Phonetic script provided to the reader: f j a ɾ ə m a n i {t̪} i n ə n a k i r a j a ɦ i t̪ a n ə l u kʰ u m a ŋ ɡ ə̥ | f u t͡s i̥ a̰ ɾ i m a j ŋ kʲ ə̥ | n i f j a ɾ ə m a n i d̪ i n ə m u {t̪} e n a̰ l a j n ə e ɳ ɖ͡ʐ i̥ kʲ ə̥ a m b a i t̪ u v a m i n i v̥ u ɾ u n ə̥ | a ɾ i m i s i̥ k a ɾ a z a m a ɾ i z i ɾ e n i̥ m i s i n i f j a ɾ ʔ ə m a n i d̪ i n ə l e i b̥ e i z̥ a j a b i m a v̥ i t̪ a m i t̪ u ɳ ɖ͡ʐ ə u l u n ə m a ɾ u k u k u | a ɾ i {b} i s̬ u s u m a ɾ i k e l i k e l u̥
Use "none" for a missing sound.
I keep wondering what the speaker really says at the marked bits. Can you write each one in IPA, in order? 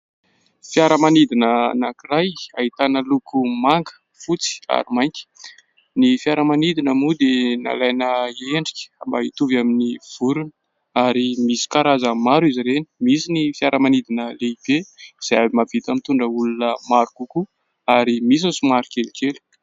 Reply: d̪, d̪, m

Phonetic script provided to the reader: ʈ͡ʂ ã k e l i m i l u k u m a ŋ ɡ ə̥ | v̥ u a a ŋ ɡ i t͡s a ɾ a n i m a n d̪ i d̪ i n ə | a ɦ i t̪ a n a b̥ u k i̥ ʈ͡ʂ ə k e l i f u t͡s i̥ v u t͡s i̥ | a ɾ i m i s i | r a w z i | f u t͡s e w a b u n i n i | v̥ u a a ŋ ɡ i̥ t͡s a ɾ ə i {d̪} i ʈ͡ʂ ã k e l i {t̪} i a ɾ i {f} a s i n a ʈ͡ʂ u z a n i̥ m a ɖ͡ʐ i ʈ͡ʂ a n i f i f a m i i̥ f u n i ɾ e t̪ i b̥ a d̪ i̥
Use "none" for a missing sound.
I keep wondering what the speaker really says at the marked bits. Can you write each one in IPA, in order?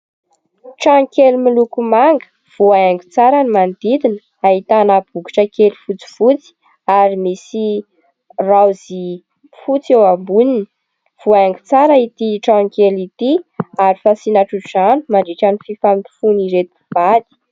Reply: t̪, t̪, f

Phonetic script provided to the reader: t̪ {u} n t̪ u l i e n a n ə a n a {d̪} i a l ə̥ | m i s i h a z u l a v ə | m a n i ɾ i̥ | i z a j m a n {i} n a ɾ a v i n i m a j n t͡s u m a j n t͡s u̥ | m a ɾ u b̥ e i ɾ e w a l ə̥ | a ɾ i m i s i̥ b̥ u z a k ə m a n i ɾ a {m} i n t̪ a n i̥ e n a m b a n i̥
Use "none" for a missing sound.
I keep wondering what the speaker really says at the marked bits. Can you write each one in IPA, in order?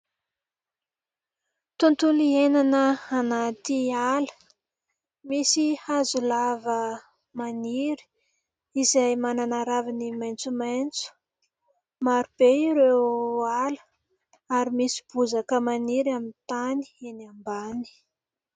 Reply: u, t̪, a, m

